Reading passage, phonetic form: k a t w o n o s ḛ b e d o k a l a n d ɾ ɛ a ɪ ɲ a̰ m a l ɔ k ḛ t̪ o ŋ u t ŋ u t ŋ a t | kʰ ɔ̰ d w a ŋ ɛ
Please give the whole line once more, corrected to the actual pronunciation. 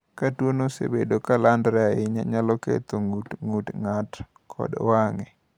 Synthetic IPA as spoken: k a t w o n o s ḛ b e d o k a l a n d ɾ ɛ a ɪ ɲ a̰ ɲ a l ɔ k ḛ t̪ o ŋ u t ŋ u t ŋ a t | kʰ ɔ̰ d w a ŋ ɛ